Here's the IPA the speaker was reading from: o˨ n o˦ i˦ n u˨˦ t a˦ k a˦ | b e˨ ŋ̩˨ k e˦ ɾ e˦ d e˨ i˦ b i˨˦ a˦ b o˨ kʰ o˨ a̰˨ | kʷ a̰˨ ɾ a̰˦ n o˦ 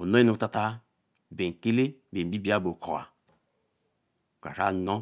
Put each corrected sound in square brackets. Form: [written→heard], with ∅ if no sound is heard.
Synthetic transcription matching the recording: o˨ n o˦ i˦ n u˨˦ t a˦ [k→t] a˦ | b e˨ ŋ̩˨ k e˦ [ɾ→l] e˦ [d→b] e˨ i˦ b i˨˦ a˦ b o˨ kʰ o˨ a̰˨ | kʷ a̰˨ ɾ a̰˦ n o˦